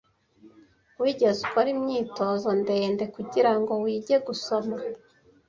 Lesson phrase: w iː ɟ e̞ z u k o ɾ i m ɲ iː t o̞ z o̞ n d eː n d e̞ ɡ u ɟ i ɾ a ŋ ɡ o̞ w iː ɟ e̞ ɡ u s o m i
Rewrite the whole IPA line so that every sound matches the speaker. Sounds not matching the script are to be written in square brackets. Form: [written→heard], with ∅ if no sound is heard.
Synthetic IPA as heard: w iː ɟ e̞ z u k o ɾ i m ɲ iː t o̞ z o̞ n d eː n d e̞ [ɡ→k] u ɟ i ɾ a ŋ ɡ o̞ w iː ɟ e̞ ɡ u s o m [i→a]

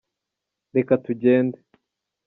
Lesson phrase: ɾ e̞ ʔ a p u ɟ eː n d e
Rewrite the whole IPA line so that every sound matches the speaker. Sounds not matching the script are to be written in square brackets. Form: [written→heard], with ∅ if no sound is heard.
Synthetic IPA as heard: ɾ e̞ [ʔ→k] a [p→t] u ɟ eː n d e

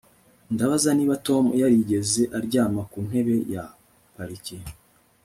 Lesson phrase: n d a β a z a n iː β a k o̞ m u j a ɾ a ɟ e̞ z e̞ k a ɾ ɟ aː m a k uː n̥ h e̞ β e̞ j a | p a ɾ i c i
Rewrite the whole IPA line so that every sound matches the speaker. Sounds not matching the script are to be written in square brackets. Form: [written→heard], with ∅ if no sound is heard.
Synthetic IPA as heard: n d a β a z a n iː β a [k→t] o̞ m u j a ɾ [a→i] ɟ e̞ z e̞ [k→ʔ] a ɾ ɟ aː m a k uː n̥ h e̞ β e̞ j a | p a ɾ i c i

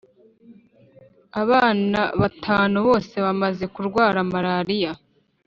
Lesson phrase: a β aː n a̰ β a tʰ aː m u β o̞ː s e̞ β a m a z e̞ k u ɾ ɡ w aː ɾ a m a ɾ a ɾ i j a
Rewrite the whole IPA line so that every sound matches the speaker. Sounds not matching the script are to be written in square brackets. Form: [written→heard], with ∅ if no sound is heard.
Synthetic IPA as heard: a β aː n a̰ β a tʰ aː [m→n] u β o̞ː s e̞ β a m a z e̞ k u ɾ ɡ w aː ɾ a m a ɾ a ɾ i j a

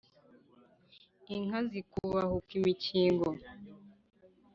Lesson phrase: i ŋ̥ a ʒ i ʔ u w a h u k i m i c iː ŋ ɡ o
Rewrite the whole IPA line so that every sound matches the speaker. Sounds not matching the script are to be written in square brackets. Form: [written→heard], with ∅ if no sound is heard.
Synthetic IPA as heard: i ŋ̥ a [ʒ→z] i [ʔ→k] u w a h u k i m i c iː ŋ ɡ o

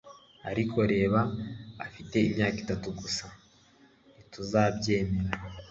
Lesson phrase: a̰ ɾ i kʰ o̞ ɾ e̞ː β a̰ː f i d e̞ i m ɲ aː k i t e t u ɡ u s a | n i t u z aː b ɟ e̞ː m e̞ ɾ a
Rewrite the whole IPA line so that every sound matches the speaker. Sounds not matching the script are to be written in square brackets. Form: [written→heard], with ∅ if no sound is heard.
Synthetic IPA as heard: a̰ ɾ i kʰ o̞ ɾ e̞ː β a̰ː f i [d→t] e̞ i m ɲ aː k i t [e→a] t u ɡ u s a | n i t u z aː b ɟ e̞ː m e̞ ɾ a

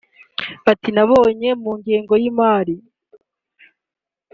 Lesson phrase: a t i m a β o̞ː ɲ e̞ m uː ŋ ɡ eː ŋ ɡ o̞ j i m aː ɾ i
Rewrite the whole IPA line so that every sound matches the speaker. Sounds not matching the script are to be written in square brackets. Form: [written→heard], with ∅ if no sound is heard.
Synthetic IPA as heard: a t i [m→n] a β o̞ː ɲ e̞ m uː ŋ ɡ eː ŋ ɡ o̞ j i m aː ɾ i

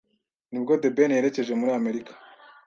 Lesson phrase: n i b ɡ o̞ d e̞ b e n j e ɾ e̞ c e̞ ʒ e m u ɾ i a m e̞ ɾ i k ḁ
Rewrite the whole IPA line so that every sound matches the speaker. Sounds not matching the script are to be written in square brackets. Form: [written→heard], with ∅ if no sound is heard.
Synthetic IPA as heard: n i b ɡ o̞ d e̞ b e n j e ɾ e̞ c e̞ ʒ e m u ɾ i a m e̞ ɾ i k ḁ

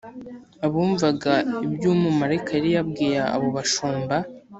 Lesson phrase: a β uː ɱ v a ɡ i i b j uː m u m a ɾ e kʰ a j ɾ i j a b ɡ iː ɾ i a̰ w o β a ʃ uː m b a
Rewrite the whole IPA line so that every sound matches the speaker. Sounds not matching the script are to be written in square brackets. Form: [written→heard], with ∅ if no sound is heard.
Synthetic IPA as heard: a β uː ɱ v a ɡ [i→a] i b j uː m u m a ɾ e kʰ a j ɾ i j a b ɡ iː ɾ [i→a] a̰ [w→β] o β a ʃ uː m b a

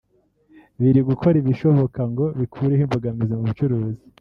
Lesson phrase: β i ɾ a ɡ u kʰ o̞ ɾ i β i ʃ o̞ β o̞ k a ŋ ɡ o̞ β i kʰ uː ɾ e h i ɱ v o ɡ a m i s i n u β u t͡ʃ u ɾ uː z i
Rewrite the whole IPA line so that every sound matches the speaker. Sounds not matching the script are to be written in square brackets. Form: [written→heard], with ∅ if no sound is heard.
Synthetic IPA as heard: β i ɾ [a→i] ɡ u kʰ o̞ ɾ i β i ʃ o̞ β o̞ k a ŋ ɡ o̞ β i kʰ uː ɾ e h i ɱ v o ɡ a m i [s→z] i [n→m] u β u t͡ʃ u ɾ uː z i

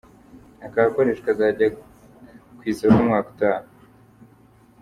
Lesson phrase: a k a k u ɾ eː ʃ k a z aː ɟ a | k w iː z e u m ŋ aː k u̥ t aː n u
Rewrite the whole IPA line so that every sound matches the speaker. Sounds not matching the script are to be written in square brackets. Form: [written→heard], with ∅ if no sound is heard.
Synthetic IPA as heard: a k a k [u→o] ɾ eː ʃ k a z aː ɟ a | k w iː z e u m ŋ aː k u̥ t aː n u

